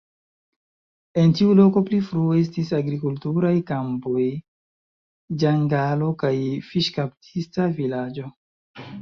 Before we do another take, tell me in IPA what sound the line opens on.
e̞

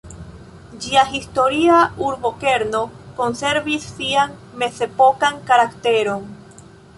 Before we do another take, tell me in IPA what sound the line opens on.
d͡ʒ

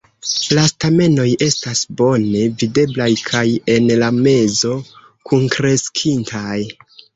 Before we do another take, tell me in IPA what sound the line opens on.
l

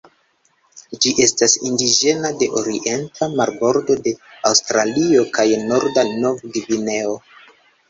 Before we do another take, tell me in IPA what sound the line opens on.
d͡ʒ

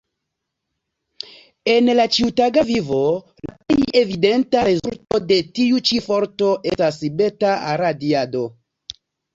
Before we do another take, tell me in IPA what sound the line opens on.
e̞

